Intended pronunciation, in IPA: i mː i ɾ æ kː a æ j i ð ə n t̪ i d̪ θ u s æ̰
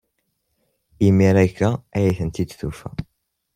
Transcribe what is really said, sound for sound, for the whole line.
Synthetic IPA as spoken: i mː i ɾ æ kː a æ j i θ ə n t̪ i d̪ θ u f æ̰